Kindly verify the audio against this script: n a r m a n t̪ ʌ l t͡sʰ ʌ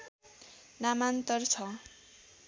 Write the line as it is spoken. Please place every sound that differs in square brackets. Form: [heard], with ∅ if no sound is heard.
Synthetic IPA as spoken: n a [∅] m a n t̪ ʌ [r] t͡sʰ ʌ